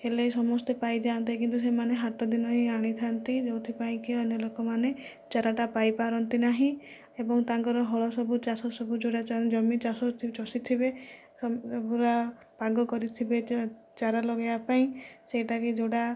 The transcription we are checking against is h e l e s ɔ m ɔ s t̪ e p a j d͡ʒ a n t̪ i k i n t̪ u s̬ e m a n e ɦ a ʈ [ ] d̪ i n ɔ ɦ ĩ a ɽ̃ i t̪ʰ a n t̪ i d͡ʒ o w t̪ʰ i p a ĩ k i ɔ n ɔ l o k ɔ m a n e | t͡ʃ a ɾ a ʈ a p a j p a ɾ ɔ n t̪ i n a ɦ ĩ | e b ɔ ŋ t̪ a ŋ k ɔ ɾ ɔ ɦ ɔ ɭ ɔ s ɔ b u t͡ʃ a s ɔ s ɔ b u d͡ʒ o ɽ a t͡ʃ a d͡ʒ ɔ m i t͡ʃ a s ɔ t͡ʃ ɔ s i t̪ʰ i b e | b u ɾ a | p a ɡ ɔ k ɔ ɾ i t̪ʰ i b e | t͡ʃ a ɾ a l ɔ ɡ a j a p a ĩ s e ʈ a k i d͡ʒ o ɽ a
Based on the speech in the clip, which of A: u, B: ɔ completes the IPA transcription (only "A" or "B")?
B